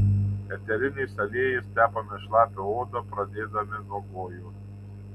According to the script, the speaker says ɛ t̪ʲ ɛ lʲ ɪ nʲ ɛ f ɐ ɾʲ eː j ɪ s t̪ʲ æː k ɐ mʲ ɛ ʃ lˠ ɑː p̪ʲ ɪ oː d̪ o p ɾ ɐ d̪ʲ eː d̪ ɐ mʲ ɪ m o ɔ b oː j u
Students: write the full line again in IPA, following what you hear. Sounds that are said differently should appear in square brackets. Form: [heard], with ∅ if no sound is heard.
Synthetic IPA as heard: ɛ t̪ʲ ɛ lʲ ɪ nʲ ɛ [s] ɐ [lʲ] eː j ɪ s t̪ʲ æː [p] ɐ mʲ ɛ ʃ lˠ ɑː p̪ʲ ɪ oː d̪ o p ɾ ɐ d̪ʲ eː d̪ ɐ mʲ ɪ [n] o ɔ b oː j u